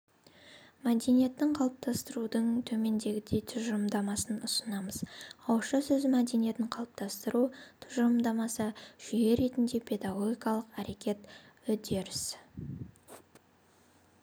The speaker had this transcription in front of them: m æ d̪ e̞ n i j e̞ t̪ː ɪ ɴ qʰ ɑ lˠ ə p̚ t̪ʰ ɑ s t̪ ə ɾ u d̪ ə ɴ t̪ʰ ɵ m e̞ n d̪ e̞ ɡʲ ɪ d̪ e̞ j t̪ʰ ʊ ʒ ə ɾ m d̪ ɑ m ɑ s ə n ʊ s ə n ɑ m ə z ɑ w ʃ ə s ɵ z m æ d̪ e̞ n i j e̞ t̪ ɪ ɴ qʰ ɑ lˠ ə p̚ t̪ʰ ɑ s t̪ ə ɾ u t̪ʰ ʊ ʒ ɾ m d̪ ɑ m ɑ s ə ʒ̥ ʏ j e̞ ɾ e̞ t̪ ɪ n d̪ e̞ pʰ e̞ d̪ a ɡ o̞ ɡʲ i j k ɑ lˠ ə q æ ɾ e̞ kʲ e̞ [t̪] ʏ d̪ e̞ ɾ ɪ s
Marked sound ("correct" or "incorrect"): correct